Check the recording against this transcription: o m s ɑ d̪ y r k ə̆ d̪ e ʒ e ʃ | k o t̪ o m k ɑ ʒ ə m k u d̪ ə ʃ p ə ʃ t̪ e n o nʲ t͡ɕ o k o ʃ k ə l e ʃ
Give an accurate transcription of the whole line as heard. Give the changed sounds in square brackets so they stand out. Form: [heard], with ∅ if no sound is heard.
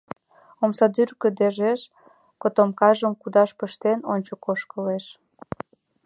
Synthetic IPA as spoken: o m s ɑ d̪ y r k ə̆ d̪ e ʒ e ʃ | k o t̪ o m k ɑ ʒ ə m k u d̪ [ɑ] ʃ p ə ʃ t̪ e n o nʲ t͡ɕ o k o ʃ k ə l e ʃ